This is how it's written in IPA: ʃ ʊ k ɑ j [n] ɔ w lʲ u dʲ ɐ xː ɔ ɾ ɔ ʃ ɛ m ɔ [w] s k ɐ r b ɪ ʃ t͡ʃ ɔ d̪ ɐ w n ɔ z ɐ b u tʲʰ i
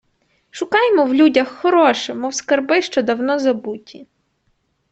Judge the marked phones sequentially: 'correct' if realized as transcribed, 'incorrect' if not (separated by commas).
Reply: incorrect, correct